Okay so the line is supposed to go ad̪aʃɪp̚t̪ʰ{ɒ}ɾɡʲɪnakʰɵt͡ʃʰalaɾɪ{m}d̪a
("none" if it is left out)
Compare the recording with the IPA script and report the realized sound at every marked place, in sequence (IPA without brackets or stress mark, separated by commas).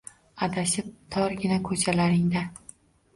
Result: ɒ, ŋ